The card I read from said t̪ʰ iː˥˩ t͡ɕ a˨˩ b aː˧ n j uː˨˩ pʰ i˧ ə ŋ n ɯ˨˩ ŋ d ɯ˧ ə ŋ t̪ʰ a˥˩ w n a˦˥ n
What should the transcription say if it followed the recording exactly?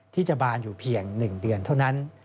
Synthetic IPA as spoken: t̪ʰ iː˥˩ t͡ɕ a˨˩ b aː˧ n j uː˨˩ pʰ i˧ ə ŋ n ɯ˨˩ ŋ d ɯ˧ ə n t̪ʰ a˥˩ w n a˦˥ n